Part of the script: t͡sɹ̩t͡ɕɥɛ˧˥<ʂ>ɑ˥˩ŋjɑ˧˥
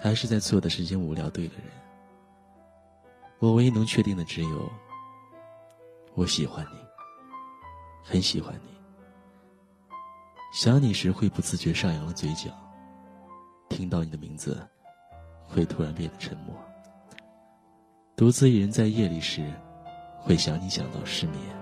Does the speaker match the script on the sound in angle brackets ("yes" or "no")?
yes